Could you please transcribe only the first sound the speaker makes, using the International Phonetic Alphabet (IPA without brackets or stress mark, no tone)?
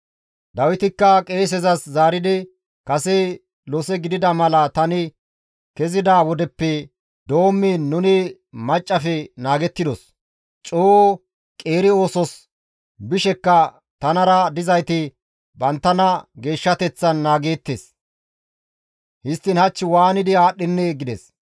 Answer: d̪